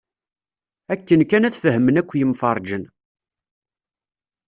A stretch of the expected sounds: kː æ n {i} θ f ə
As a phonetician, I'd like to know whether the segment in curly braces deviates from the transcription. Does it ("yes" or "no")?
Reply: yes